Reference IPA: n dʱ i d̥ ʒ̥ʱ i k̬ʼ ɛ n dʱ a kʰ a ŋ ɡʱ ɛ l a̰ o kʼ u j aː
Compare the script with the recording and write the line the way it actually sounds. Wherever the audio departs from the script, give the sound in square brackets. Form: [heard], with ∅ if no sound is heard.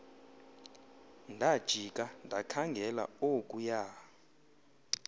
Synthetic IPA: n dʱ [a] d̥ ʒ̥ʱ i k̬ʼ [a] n dʱ a kʰ a ŋ ɡʱ ɛ l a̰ o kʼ u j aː